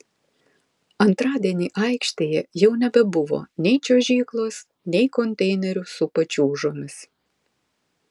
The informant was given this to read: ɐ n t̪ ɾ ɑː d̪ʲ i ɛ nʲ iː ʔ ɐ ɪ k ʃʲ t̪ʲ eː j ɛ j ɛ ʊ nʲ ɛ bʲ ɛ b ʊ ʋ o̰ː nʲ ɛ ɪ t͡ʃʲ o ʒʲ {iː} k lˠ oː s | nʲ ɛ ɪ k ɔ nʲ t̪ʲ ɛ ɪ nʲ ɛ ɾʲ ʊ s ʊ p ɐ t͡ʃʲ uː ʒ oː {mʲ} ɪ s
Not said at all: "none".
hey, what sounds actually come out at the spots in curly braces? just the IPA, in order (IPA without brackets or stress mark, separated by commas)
iː, mʲ